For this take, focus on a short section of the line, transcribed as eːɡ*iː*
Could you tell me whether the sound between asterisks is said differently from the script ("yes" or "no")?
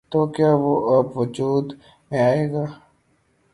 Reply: yes